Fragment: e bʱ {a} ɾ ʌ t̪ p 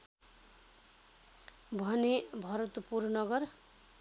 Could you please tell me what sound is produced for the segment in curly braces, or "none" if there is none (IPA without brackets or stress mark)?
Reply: ʌ